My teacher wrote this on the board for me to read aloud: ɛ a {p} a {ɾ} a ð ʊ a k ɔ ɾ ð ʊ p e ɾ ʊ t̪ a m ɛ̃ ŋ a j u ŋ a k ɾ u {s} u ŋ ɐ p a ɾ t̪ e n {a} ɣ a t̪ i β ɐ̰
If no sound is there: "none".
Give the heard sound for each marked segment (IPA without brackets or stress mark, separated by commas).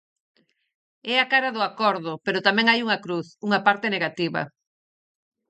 k, ɾ, θ, e